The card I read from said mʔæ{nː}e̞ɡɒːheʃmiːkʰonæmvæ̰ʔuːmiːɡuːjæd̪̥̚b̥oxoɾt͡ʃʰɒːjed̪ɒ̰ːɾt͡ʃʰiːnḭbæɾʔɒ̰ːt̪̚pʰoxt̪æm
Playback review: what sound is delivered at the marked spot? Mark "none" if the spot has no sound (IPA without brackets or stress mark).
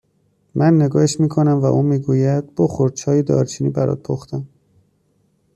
nː